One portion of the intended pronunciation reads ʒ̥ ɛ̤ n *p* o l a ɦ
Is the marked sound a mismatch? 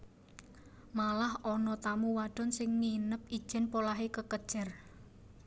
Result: no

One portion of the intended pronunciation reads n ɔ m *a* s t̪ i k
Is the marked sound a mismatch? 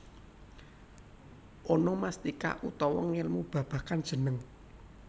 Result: no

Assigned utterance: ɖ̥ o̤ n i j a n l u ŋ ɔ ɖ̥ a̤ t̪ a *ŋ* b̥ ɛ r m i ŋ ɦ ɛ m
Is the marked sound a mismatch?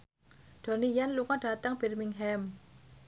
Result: no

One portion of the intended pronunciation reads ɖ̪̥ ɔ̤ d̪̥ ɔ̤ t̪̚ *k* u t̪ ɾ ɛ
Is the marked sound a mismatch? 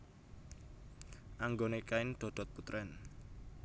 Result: yes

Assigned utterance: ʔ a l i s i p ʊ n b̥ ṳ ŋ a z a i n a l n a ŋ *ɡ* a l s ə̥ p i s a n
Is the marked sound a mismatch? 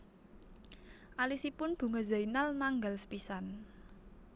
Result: no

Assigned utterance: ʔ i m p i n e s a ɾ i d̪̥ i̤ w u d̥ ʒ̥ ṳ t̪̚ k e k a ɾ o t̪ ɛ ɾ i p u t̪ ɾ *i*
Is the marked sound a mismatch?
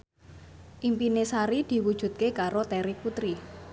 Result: no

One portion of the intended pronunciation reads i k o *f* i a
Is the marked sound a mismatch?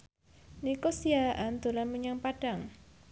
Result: yes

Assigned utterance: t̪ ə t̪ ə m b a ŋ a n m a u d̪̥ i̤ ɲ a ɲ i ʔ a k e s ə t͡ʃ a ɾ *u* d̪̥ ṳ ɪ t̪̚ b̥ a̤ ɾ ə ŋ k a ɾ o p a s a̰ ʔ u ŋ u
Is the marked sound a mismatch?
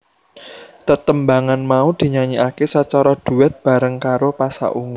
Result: yes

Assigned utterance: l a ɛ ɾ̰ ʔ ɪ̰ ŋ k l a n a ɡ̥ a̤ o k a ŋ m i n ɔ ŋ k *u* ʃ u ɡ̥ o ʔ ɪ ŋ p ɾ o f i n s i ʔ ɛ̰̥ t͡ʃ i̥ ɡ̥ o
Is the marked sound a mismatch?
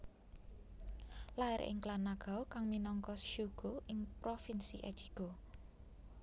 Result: yes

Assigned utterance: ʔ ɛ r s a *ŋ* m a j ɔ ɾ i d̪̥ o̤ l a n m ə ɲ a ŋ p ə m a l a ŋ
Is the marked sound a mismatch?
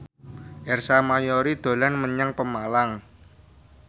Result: yes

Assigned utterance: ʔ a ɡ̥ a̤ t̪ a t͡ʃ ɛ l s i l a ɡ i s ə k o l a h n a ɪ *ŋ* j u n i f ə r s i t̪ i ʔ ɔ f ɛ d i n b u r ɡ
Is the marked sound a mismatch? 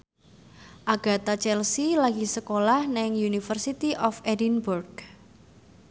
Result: no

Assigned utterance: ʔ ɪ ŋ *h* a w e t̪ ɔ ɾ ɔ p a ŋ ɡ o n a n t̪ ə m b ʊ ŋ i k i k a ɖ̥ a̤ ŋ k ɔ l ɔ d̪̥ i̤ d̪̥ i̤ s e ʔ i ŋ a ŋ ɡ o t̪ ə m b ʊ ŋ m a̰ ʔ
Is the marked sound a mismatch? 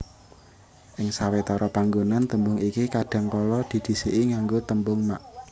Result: yes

